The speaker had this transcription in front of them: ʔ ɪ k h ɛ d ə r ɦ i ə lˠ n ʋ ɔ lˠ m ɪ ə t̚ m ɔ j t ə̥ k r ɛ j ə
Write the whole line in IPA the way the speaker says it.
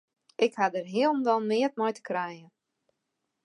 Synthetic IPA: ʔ ɪ k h a d ə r ɦ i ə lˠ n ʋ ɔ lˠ m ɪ ə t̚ m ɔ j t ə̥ k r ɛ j ə